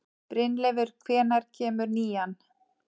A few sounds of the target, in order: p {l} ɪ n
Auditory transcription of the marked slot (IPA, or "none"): ɾ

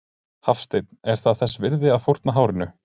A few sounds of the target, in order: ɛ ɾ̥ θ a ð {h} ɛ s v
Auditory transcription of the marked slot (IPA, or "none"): θ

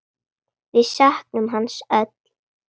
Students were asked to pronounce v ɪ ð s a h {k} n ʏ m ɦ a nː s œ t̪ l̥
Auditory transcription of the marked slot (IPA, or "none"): k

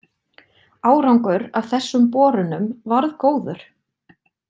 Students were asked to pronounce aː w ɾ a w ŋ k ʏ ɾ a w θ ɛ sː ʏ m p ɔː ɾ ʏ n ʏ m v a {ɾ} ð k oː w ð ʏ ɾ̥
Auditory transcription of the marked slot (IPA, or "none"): ɾ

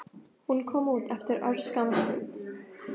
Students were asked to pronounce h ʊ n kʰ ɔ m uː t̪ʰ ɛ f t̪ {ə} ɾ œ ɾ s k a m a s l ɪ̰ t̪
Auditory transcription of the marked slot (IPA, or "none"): ə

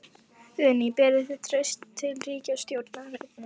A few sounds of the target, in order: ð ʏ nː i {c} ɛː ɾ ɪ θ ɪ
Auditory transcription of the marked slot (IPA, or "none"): p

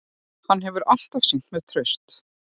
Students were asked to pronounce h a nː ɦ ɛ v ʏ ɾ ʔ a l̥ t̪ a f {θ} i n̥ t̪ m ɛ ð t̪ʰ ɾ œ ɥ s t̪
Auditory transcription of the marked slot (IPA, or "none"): s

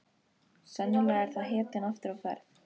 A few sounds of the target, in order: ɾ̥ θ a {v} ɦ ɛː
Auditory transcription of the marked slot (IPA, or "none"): ð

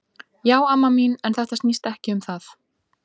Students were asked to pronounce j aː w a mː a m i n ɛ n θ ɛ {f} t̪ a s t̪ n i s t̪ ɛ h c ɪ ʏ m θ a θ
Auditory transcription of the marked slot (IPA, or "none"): h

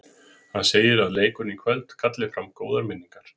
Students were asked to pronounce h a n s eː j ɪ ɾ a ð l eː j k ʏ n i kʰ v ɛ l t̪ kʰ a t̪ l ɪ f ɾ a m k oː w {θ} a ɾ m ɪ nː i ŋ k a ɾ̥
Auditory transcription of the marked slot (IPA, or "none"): ð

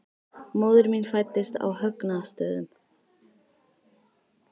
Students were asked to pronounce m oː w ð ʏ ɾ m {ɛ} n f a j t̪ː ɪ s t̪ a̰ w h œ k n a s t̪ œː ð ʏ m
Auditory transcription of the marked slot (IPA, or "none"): i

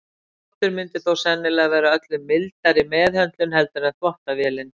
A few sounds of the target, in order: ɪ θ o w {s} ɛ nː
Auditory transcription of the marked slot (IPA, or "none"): s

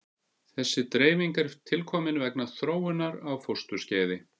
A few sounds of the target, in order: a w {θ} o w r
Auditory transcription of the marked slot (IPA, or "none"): f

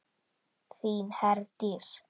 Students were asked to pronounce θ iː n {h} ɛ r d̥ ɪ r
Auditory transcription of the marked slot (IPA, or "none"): h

